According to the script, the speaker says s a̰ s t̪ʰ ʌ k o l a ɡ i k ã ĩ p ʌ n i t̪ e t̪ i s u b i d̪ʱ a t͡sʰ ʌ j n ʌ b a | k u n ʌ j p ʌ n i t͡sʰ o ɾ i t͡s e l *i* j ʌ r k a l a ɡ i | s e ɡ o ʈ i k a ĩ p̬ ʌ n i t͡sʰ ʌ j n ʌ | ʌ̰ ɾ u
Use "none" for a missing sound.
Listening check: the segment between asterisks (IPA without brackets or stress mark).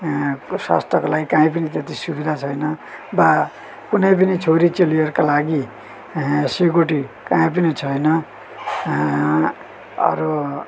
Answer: i